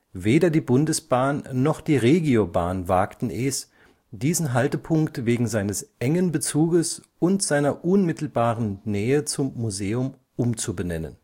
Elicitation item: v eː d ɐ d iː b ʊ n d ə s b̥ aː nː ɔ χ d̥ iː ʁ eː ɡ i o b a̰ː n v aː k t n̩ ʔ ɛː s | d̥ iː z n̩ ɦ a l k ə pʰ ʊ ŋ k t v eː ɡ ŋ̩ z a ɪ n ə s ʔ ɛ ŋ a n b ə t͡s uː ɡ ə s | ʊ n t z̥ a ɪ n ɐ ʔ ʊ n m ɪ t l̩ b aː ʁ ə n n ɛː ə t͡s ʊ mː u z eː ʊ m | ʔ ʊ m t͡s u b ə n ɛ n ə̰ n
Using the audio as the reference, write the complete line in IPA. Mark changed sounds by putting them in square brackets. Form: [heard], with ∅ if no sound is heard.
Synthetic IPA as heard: v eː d ɐ d iː b ʊ n d ə s b̥ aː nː ɔ χ d̥ iː ʁ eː ɡ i o b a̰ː n v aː k t n̩ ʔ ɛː s | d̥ iː z n̩ ɦ a l [t] ə pʰ ʊ ŋ k t v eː ɡ ŋ̩ z a ɪ n ə s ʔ ɛ ŋ [ə] n b ə t͡s uː ɡ ə s | ʊ n t z̥ a ɪ n ɐ ʔ ʊ n m ɪ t l̩ b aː ʁ ə n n ɛː ə t͡s ʊ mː u z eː ʊ m | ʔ ʊ m t͡s u b ə n ɛ n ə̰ n

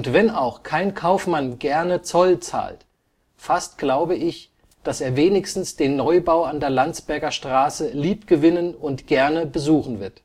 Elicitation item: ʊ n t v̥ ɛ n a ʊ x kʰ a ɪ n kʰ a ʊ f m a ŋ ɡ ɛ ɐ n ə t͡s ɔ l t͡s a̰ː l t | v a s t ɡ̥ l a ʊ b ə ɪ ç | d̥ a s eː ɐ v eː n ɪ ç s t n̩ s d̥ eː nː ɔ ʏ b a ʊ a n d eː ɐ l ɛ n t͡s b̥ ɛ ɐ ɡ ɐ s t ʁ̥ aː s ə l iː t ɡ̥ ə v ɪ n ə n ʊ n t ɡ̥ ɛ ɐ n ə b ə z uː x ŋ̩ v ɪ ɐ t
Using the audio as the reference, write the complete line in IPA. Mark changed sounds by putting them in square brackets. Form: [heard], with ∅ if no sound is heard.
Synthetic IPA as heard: ʊ n t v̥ ɛ n a ʊ x kʰ a ɪ n kʰ a ʊ f m a [n] ɡ ɛ ɐ n ə t͡s ɔ l t͡s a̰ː l t | [f] a s t ɡ̥ l a ʊ b ə ɪ ç | d̥ a s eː ɐ v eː n ɪ ç s t n̩ s d̥ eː nː ɔ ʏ b a ʊ a n d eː ɐ l [a] n t͡s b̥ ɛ ɐ ɡ ɐ [ʃ] t ʁ̥ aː s ə l iː [p] ɡ̥ ə v ɪ n ə n ʊ n t ɡ̥ ɛ ɐ n ə b ə z uː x [n̩] v ɪ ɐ t

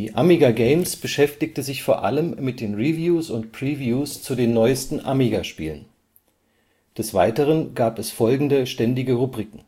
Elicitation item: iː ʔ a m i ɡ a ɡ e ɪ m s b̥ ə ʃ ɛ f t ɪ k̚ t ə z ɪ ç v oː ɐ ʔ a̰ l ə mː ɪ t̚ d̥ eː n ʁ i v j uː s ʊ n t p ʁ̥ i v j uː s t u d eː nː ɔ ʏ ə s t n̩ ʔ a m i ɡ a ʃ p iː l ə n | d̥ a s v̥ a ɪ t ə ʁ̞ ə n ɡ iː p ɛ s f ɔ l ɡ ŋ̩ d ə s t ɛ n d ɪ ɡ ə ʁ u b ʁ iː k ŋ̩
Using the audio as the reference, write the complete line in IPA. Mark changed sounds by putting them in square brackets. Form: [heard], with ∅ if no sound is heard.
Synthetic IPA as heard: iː ʔ a m i ɡ a ɡ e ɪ m s b̥ ə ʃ ɛ f t ɪ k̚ t ə z ɪ ç [f] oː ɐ ʔ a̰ l ə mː ɪ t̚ d̥ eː n ʁ i v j uː s ʊ n t p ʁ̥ i v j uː s [t͡s] u d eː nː ɔ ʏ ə s t n̩ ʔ a m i ɡ a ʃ p iː l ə n | d̥ [ɛ] s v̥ a ɪ t ə ʁ̞ ə n ɡ [aː] p ɛ s f ɔ l ɡ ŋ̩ d ə [ʃ] t ɛ n d ɪ ɡ ə ʁ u b ʁ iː k ŋ̩

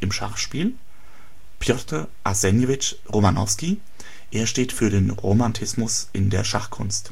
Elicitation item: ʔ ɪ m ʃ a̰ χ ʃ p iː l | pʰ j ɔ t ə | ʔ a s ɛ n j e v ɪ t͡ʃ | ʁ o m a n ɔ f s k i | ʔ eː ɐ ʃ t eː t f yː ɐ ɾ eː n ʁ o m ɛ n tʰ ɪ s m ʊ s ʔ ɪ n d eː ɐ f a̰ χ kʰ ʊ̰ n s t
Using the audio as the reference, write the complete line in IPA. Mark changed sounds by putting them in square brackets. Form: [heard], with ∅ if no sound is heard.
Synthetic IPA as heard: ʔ ɪ m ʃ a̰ χ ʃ p iː l | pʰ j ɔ t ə | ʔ a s ɛ n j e v ɪ t͡ʃ | ʁ o m a n ɔ f s k i | ʔ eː ɐ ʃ t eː t f yː ɐ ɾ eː n ʁ o m [a] n tʰ ɪ s m ʊ s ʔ ɪ n d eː ɐ [ʃ] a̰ χ kʰ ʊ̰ n s t

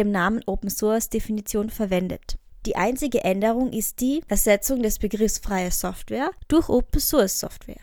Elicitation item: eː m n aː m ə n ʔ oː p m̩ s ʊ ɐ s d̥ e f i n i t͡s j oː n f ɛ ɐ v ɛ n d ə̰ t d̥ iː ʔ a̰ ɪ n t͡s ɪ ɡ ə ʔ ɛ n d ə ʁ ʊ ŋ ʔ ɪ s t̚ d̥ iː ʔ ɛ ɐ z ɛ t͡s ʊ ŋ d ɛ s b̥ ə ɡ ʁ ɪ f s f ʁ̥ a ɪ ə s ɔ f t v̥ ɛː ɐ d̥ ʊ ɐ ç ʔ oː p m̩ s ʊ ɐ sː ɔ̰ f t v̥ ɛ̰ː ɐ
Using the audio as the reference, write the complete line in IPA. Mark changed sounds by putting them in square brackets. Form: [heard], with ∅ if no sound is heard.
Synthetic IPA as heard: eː m n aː m ə n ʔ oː p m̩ s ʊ ɐ s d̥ e f i n i t͡s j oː n f ɛ ɐ v ɛ n d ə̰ t d̥ iː ʔ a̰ ɪ n t͡s ɪ ɡ ə ʔ ɛ n d ə ʁ ʊ ŋ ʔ ɪ s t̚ d̥ iː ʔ ɛ ɐ z ɛ t͡s ʊ ŋ d ɛ s b̥ ə ɡ ʁ ɪ f s f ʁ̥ a ɪ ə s ɔ f t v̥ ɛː ɐ d̥ ʊ ɐ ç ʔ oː p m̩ s ʊ ɐ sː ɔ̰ f t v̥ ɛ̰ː ɐ

